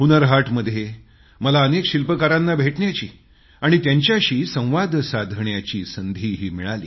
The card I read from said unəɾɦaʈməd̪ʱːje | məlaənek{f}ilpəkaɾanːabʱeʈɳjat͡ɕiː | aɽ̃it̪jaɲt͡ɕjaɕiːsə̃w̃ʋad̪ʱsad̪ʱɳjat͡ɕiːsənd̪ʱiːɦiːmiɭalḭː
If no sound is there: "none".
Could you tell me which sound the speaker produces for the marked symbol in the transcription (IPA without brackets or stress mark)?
ɕ